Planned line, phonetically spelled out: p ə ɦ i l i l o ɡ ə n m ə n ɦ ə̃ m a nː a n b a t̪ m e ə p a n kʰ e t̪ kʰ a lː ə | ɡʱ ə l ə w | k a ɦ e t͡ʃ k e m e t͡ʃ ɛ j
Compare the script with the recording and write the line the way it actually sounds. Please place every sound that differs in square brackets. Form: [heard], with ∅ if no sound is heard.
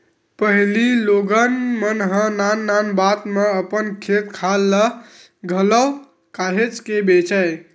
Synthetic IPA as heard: p ə ɦ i l i l o ɡ ə n m ə n ɦ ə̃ [n] a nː a n b a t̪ m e ə p [ə] n kʰ e t̪ kʰ a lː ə | ɡʱ ə l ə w | k a ɦ e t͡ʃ k e [b] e t͡ʃ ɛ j